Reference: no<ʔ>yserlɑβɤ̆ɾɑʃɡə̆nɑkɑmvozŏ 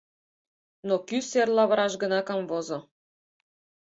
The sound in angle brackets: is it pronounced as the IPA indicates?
no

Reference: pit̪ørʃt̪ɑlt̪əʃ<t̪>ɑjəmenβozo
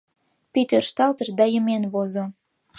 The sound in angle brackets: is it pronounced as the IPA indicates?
no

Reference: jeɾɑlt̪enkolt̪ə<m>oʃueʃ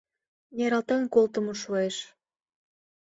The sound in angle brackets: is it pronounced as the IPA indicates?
yes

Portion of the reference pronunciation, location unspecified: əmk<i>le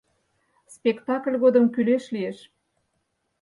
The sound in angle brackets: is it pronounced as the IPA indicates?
no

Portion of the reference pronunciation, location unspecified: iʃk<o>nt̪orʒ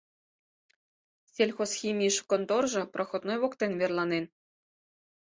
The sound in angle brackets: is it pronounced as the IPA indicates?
yes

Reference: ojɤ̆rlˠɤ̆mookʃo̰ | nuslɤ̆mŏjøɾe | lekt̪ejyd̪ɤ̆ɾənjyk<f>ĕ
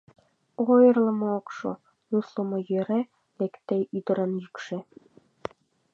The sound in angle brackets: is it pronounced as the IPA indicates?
no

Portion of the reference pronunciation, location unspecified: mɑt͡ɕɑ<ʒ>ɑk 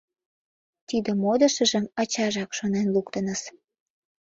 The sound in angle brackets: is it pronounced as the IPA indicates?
yes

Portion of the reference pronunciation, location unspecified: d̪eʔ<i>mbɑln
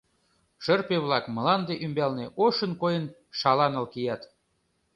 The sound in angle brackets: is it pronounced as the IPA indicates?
no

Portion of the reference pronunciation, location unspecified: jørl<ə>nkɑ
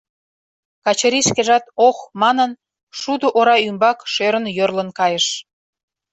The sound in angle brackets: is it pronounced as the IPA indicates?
yes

